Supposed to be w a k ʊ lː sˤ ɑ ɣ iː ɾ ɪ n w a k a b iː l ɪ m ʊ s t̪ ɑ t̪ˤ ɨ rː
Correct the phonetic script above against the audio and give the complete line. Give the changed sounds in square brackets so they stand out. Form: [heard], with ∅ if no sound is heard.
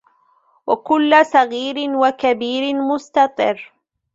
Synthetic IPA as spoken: w a k ʊ lː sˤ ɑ ɣ iː ɾ ɪ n w a k a b iː [ɾ] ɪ m ʊ s t̪ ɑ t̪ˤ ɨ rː